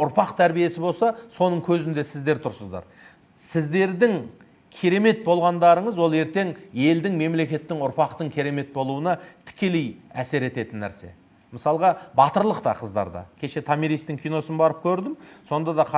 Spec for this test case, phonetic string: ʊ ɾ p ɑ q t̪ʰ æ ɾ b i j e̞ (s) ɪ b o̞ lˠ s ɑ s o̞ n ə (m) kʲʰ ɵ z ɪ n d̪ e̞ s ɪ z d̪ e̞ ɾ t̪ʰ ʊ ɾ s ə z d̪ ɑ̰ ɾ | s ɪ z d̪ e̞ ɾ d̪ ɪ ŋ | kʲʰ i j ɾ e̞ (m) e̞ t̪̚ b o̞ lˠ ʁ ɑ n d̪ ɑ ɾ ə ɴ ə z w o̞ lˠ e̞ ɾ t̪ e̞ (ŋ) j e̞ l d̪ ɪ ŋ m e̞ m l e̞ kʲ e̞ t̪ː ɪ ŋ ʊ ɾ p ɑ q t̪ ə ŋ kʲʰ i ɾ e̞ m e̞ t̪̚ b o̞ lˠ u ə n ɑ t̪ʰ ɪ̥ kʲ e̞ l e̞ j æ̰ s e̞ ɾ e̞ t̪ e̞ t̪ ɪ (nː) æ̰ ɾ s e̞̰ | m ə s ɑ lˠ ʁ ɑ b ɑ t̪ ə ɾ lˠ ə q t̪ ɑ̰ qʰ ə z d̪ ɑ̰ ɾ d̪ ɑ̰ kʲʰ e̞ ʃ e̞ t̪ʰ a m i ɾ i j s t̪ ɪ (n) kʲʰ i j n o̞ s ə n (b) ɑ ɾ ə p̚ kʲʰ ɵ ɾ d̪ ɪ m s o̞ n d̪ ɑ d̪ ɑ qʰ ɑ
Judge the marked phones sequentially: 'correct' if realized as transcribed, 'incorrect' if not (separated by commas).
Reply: correct, incorrect, correct, correct, correct, incorrect, correct